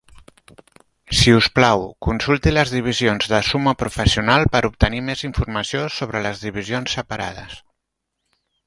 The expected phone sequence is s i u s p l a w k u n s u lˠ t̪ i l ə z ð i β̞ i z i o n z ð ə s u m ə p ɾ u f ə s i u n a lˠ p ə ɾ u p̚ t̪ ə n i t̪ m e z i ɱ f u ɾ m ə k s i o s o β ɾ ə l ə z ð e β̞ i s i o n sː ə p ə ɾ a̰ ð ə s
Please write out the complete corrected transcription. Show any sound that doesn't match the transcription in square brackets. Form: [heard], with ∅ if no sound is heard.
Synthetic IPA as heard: s i u s p l a w k u n s u lˠ t̪ i l ə z ð i β̞ i z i o n z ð ə s u m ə p ɾ u f ə s i u n a lˠ p ə ɾ u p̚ t̪ ə n i [∅] m e z i ɱ f u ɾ m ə [∅] s i o s o β ɾ ə l ə z ð [i] β̞ i [z] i o n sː ə p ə ɾ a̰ ð ə s